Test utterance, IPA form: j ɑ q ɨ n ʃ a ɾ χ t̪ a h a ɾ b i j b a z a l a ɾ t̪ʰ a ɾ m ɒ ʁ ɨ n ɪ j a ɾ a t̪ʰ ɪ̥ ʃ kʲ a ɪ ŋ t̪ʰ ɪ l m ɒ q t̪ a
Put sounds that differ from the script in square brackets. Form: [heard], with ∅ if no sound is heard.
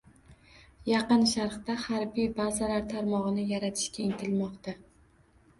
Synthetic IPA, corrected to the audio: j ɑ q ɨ n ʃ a ɾ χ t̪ a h a ɾ b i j b a z a l a ɾ t̪ʰ a ɾ m ɒ ʁ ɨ n ɪ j a ɾ a t̪ʰ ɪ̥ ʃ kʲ a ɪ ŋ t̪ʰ ɪ l m ɒ q t̪ a